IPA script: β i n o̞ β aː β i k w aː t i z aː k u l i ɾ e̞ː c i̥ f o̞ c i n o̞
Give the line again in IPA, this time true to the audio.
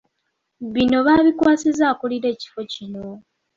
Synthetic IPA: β i n o̞ β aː β i k w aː s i z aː k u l i ɾ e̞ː c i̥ f o̞ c i n o̞